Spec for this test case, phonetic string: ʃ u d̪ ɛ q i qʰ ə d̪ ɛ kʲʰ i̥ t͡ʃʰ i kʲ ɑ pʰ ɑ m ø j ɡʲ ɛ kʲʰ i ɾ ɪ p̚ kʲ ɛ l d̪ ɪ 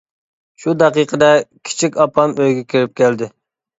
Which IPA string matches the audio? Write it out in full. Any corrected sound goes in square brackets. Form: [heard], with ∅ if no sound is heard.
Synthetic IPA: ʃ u d̪ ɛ q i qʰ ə d̪ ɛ kʲʰ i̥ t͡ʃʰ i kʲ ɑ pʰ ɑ m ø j ɡʲ ɛ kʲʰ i ɾ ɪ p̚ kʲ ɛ l d̪ ɪ

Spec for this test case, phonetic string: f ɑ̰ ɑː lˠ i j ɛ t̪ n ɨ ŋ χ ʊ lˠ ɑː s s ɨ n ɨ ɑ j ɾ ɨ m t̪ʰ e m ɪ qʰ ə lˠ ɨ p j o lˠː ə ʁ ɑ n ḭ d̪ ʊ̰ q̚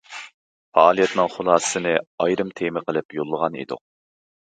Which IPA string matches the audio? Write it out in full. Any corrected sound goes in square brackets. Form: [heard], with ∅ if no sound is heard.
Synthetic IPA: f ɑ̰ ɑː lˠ i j ɛ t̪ n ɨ ŋ χ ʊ lˠ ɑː s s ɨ n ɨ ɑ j ɾ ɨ m t̪ʰ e m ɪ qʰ ə lˠ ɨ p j o lˠː ə ʁ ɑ n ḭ d̪ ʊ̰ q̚

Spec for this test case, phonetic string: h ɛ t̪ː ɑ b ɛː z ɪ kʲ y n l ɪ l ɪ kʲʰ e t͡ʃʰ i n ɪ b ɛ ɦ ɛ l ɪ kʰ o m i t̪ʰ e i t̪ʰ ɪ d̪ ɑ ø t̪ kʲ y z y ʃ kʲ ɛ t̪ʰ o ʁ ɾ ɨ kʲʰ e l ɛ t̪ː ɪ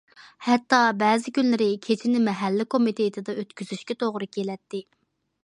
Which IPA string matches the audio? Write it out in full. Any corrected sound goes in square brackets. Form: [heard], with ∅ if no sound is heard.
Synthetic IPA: h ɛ t̪ː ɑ b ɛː z ɪ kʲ y n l ɪ [ɾ] ɪ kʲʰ e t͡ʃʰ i n ɪ [m] ɛ ɦ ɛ [lː] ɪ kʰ o m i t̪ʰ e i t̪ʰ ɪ d̪ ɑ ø t̪ kʲ y z y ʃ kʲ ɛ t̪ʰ o ʁ ɾ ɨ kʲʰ e l ɛ t̪ː ɪ

